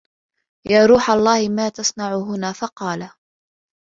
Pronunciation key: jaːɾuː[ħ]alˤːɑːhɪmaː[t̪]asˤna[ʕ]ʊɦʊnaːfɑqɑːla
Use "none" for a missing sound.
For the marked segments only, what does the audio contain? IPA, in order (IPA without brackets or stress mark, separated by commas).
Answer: ħ, t̪, ʕ